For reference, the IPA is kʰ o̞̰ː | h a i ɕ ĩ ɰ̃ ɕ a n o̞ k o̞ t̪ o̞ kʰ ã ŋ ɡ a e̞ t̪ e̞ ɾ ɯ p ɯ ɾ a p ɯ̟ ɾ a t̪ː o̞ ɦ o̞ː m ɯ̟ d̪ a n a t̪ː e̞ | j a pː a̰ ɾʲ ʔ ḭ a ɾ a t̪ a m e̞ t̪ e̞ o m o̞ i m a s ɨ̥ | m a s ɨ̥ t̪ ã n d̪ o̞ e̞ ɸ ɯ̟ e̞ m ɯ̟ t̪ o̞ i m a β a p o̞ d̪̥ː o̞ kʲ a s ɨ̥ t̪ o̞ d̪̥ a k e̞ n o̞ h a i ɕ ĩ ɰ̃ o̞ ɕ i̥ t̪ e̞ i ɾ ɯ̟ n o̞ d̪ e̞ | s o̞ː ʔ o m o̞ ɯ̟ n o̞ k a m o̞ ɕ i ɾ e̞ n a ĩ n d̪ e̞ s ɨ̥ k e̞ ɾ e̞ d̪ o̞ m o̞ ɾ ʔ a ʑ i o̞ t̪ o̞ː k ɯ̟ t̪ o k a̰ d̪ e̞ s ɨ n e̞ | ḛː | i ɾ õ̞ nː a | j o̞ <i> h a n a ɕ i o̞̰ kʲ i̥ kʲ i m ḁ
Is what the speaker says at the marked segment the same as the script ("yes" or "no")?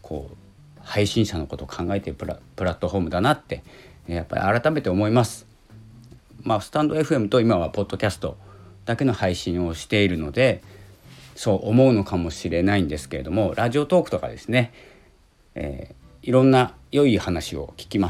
yes